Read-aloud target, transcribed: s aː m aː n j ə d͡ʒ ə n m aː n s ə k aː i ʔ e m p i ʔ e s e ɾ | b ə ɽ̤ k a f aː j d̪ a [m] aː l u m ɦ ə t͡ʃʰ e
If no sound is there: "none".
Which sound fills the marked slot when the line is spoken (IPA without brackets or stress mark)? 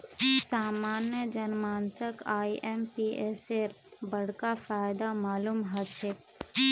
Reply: m